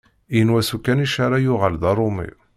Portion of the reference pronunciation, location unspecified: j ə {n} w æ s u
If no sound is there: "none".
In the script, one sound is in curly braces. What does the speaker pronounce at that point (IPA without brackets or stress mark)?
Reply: n